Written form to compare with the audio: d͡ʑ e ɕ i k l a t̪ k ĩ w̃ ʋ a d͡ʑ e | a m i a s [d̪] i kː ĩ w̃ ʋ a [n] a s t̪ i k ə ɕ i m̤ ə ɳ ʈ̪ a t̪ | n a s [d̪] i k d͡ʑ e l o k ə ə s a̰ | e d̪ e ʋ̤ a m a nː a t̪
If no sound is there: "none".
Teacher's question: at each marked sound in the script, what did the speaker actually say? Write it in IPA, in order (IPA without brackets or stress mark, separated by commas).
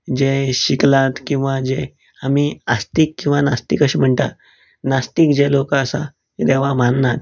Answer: t̪, n, t̪